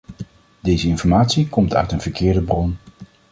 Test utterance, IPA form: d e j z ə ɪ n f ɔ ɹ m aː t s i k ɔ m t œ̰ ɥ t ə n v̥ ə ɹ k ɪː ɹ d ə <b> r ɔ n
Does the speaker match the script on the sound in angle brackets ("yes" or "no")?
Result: yes